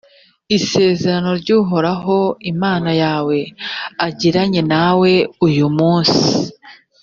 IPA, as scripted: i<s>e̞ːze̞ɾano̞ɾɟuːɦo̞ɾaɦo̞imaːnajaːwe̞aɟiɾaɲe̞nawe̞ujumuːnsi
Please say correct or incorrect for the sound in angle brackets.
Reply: correct